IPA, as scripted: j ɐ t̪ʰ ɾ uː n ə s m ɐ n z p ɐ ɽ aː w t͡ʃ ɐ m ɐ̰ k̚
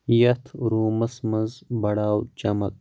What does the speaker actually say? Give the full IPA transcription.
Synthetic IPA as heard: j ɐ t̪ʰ ɾ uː m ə s m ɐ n z b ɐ ɽ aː w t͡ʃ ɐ m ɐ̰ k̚